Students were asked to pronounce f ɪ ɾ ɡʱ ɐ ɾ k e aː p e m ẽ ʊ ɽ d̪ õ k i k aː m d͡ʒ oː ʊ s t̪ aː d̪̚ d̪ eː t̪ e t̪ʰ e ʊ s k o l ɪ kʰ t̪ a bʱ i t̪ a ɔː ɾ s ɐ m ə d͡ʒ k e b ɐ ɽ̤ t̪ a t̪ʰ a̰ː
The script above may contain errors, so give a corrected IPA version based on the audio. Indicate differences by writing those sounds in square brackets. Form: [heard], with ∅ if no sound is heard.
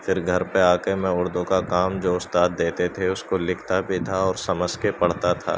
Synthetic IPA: f ɪ ɾ ɡʱ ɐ ɾ [p] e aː [k] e m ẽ ʊ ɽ d̪ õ k [a] k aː m d͡ʒ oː ʊ s t̪ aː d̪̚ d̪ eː t̪ e t̪ʰ e ʊ s k o l ɪ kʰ t̪ a bʱ i [t̪ʰ] a ɔː ɾ s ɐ m ə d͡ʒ k e [p] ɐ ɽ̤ t̪ a t̪ʰ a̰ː